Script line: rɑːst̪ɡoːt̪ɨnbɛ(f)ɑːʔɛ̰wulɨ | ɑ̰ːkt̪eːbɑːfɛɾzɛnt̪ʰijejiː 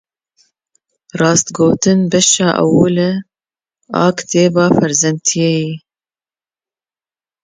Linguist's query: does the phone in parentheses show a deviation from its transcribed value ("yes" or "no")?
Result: yes